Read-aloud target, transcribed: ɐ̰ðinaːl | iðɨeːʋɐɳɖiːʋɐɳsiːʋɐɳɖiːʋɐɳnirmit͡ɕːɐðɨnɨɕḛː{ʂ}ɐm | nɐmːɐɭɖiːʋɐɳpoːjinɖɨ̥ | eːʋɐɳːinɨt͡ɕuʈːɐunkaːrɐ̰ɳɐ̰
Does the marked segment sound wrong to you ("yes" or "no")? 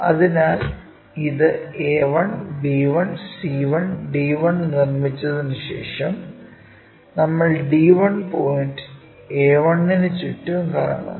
no